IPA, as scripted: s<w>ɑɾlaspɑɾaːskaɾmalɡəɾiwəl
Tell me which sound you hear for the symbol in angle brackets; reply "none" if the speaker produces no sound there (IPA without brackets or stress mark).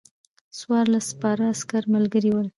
w